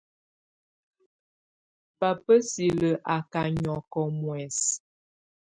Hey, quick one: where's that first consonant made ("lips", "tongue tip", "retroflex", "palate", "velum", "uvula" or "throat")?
lips